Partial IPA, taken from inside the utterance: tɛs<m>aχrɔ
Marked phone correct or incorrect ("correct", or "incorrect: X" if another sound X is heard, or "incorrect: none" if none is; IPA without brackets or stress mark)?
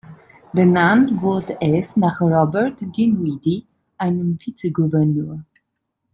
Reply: incorrect: n